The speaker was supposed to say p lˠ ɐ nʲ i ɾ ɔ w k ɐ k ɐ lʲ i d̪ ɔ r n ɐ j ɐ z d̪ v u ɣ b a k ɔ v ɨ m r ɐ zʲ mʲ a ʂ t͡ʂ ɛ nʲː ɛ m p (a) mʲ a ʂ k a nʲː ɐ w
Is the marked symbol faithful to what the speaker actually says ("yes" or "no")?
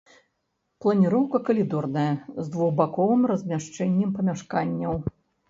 no